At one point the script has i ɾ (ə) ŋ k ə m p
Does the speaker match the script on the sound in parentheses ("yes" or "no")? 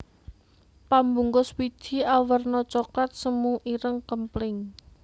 yes